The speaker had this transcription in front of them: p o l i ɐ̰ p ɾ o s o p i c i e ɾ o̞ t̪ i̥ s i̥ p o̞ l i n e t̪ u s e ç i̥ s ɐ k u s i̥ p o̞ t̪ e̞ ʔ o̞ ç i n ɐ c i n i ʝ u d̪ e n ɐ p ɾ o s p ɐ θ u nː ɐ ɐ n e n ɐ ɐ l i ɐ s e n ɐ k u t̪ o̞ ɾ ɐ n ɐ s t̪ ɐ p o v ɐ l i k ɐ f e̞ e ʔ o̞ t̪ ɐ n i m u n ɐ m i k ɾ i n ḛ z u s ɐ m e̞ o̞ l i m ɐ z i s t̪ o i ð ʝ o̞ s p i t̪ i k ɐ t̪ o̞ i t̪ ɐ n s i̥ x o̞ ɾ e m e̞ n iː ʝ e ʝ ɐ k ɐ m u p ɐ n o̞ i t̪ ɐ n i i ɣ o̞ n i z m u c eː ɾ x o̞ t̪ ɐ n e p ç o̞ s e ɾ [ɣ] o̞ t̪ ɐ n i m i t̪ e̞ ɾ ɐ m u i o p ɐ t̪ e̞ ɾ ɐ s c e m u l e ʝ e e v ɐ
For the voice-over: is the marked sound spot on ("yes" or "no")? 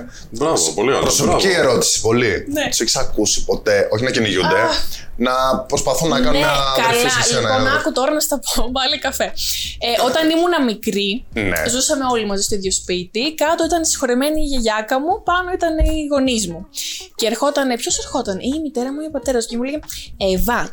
no